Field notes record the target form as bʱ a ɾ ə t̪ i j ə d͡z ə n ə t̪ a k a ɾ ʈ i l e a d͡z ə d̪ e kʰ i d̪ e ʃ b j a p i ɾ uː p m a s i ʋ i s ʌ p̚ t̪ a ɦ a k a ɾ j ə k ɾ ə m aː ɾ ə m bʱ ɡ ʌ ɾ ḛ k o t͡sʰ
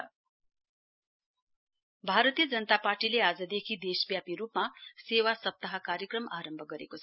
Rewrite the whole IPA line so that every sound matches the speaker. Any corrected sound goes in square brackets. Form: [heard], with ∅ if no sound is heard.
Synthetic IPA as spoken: bʱ a ɾ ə t̪ i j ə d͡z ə n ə t̪ a [p] a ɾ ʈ i l e a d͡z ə d̪ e kʰ i d̪ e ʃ b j a p i ɾ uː p m a s [e] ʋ [a] s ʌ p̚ t̪ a ɦ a k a ɾ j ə k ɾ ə m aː ɾ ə m bʱ ɡ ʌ ɾ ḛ k o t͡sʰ